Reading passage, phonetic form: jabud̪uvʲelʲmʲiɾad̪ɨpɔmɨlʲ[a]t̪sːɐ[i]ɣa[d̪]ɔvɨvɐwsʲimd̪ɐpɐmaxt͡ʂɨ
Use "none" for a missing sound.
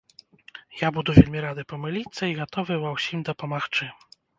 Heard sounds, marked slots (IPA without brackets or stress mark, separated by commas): i, i, t̪